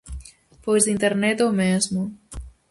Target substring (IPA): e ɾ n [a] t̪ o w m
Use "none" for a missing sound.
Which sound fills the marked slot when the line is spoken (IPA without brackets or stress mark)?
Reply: ɛ